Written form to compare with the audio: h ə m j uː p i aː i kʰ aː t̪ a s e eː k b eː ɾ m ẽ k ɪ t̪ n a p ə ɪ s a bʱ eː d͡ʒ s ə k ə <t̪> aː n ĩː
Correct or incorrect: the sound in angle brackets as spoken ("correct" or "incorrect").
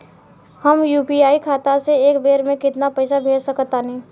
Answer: correct